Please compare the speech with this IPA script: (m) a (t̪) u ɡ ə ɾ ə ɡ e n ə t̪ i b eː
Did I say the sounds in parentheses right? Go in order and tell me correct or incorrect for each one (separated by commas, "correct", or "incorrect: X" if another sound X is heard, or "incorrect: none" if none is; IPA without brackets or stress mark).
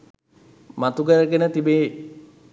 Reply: correct, correct